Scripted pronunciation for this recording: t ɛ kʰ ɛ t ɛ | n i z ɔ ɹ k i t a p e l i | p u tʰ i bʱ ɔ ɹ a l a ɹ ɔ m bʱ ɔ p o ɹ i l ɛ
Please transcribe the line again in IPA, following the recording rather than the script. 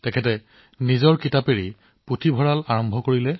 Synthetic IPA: t ɛ kʰ ɛ t ɛ | n i z ɔ ɹ k i t a p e ɹ i | p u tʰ i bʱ ɔ ɹ a l a ɹ ɔ m bʱ ɔ k o ɹ i l ɛ